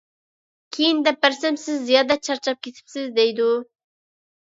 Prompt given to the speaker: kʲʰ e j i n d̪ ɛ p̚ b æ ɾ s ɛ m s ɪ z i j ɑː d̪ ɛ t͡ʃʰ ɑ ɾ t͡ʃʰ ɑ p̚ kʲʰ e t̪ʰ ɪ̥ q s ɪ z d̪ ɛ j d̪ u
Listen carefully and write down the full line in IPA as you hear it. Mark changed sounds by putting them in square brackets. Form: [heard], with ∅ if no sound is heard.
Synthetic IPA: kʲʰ e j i n d̪ ɛ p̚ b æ ɾ s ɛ m s ɪ [zː] i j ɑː d̪ ɛ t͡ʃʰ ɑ ɾ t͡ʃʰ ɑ p̚ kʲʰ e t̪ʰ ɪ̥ [p] s ɪ z d̪ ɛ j d̪ u